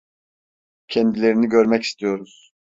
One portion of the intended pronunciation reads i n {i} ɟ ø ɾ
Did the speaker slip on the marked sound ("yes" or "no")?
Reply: no